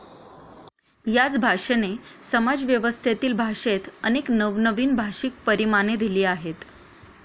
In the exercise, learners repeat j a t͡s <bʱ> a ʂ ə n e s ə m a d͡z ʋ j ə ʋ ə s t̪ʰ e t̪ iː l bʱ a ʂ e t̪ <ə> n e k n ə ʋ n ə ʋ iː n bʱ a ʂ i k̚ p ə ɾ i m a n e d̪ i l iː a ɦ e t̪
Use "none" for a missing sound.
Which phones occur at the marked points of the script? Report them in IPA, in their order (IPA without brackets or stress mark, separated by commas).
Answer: bʱ, ə